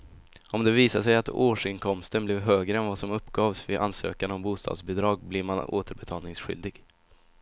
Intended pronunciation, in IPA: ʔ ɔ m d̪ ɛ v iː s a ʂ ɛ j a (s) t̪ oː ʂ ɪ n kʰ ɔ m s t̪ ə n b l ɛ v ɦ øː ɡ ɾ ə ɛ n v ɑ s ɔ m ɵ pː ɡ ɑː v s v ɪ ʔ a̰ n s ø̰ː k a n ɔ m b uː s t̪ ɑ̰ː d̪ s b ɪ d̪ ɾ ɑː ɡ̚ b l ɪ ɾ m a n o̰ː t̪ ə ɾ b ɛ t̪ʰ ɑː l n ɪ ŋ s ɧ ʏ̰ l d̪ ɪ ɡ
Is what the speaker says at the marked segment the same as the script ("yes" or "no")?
no